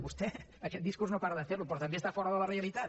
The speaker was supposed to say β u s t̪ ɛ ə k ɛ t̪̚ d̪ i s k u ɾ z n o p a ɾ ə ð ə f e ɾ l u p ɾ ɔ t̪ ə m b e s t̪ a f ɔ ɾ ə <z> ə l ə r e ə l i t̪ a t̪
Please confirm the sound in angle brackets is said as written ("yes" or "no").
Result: no